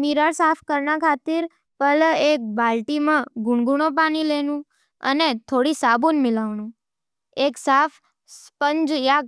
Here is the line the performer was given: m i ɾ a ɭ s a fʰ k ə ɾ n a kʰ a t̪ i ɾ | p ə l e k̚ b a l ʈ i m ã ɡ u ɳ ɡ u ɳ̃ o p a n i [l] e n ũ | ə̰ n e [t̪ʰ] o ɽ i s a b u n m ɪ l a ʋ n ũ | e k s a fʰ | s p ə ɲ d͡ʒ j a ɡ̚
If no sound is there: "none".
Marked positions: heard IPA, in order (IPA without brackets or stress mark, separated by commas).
l, t̪ʰ